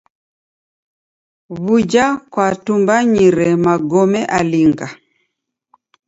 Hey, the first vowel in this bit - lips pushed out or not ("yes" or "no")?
yes